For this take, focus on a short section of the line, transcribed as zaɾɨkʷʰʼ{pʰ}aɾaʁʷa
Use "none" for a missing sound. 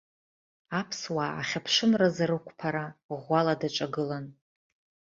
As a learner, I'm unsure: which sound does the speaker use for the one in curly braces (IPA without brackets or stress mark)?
pʰ